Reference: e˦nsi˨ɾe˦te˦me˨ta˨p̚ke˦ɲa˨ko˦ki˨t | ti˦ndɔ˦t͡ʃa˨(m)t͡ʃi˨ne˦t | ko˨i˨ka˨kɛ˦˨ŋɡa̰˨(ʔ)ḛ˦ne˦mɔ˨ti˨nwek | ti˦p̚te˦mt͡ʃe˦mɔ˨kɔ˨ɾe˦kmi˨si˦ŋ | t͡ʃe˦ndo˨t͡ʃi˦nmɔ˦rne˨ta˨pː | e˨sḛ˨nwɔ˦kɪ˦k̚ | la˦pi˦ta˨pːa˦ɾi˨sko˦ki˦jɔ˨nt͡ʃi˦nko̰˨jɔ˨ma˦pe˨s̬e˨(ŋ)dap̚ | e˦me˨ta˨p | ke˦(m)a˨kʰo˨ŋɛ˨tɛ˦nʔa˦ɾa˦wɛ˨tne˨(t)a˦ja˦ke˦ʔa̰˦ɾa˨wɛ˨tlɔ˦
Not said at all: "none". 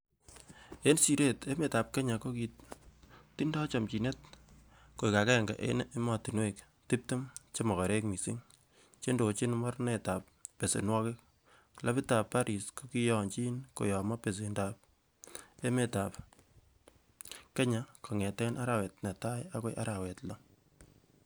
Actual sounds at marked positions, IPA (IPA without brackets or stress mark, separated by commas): m, ʔ, n, ɲ, t